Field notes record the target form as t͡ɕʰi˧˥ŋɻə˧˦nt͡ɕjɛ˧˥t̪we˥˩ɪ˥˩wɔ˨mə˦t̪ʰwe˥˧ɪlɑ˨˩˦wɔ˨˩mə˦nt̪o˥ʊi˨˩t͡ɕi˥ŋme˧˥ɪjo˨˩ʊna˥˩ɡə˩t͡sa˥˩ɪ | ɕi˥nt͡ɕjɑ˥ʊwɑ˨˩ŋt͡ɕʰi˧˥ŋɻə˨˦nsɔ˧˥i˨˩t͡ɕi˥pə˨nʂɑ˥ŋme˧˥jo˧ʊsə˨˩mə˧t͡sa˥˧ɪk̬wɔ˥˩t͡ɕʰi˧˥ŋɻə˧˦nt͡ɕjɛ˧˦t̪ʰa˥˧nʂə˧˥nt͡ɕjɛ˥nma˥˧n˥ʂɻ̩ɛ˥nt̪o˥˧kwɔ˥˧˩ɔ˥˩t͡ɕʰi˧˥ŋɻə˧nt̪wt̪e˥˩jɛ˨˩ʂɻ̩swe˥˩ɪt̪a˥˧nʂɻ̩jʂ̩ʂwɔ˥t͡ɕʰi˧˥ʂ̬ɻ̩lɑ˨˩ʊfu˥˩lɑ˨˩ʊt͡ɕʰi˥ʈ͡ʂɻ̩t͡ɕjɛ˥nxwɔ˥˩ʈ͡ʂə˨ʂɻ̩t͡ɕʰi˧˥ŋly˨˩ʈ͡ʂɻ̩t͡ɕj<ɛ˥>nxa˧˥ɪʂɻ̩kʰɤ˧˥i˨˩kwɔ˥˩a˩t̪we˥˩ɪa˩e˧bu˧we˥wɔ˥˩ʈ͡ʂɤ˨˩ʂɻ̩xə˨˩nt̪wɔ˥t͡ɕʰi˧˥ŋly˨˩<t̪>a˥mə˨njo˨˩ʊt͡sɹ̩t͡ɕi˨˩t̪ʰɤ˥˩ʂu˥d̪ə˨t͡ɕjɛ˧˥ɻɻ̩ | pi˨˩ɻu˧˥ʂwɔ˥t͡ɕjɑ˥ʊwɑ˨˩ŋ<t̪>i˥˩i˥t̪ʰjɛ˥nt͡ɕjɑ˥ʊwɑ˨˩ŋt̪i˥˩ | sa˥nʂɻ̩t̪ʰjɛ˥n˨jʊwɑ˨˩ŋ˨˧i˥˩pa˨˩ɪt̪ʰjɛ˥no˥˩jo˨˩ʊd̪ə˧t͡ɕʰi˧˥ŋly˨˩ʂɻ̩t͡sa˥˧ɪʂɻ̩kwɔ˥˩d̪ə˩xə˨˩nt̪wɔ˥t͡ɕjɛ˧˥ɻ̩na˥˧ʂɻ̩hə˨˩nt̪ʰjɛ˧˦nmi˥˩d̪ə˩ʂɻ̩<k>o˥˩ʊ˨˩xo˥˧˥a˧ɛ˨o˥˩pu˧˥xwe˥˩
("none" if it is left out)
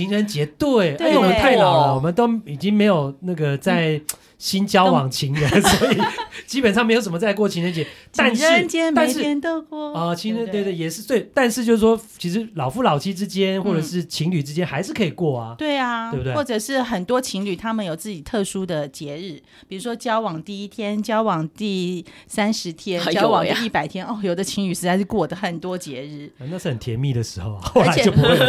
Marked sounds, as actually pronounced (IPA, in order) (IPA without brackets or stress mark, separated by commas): ɛ˥, t̪ʰ, t̪, x